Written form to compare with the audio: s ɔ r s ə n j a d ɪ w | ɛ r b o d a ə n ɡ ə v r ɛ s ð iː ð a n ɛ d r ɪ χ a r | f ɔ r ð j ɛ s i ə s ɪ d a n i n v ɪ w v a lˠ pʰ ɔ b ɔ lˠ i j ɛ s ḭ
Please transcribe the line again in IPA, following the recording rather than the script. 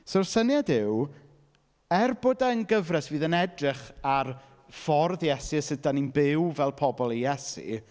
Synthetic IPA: s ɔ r s ə n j a d ɪ w | ɛ r b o d a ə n ɡ ə v r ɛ s v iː ð ə n ɛ d r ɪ χ a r | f ɔ r ð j ɛ s i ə s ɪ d a n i n b ɪ w v ɛ lˠ pʰ ɔ b ɔ lˠ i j ɛ s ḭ